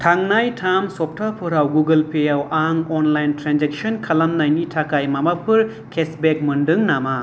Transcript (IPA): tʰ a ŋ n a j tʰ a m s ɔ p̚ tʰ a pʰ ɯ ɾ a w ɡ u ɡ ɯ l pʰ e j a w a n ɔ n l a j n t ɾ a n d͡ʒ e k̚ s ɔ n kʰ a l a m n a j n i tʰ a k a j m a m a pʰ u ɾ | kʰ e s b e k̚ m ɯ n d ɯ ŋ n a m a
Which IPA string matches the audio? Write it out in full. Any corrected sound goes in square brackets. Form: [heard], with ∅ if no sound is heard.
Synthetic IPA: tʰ a ŋ n a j tʰ a m s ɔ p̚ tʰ a pʰ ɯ ɾ a w ɡ u ɡ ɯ l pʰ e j a w a [ŋ] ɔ n l a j n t ɾ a n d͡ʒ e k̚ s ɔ n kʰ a l a m n a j n i tʰ a k a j m a m a pʰ [ɯ] ɾ | kʰ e s b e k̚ m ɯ n d ɯ ŋ n a m a